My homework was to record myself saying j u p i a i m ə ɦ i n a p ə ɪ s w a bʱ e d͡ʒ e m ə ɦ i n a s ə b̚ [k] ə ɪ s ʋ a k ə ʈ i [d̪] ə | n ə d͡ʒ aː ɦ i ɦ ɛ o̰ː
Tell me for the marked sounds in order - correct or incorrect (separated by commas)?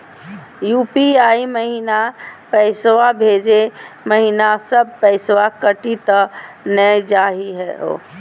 incorrect, incorrect